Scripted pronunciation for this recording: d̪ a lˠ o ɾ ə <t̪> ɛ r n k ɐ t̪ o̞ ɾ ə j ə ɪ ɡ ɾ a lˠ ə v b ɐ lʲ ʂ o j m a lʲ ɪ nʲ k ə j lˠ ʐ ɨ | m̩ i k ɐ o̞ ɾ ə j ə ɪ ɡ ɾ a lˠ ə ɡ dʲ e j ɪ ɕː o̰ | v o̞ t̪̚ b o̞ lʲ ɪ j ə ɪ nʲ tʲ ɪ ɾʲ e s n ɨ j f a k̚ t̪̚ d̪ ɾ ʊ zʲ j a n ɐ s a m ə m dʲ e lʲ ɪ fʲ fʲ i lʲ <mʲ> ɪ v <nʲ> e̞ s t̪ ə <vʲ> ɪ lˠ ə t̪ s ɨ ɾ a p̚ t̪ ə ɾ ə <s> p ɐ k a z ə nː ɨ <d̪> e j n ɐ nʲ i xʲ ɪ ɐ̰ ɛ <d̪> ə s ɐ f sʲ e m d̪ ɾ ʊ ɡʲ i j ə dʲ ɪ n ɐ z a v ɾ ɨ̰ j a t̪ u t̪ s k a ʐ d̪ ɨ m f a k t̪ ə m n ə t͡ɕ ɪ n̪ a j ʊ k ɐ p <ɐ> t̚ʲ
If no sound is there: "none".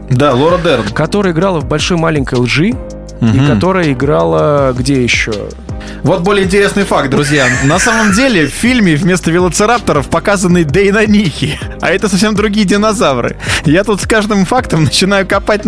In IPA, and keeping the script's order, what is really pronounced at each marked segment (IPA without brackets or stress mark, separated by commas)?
d̪, mʲ, mʲ, vʲ, f, d̪, t̪, a